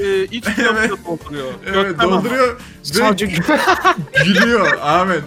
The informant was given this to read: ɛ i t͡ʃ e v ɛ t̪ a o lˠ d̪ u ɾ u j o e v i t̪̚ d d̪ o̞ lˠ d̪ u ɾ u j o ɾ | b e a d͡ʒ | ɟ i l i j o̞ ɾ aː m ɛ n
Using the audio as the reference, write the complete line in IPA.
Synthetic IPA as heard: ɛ i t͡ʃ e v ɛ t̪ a o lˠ d̪ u ɾ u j o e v ɛ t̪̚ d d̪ o̞ lˠ d̪ u ɾ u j o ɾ | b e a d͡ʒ | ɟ i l i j o̞ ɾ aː m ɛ n